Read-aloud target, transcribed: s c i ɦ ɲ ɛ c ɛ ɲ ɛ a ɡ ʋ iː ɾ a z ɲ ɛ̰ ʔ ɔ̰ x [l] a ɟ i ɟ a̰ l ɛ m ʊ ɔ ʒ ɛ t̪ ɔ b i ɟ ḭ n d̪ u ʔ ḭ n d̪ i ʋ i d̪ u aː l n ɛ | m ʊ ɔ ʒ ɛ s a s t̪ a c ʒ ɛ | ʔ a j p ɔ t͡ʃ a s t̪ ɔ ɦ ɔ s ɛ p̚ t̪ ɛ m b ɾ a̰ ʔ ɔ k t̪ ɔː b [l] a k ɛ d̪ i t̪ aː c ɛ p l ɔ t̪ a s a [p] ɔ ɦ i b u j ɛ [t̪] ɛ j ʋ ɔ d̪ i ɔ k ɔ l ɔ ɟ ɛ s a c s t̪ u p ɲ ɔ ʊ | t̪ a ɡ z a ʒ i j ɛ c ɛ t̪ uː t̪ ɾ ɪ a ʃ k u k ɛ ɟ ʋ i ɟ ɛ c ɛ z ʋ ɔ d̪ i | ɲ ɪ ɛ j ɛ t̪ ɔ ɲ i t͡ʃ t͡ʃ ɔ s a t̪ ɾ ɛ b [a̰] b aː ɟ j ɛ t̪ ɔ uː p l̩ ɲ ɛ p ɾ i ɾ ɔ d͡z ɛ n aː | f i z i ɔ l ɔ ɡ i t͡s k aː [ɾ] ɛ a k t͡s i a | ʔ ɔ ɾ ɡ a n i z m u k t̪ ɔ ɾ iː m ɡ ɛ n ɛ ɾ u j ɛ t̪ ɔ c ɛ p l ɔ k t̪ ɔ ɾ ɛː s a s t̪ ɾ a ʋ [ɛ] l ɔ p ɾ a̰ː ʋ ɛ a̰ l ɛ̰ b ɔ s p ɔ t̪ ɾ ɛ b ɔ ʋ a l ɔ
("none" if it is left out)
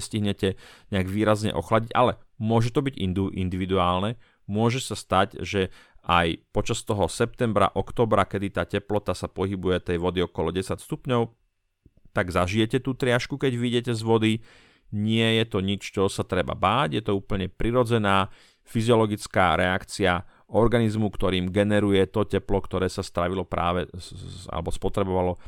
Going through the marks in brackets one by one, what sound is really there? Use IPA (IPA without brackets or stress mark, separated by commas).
l, ɾ, p, t̪, a̰, ɾ, i